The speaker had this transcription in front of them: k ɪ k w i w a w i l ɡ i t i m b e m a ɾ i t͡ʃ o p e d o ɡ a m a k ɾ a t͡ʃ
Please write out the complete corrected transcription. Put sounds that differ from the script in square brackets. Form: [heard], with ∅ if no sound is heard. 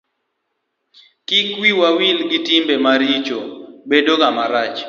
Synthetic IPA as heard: k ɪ k w i w a w i l ɡ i t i m b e m a ɾ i t͡ʃ o [b] e d o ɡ a m a [∅] ɾ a t͡ʃ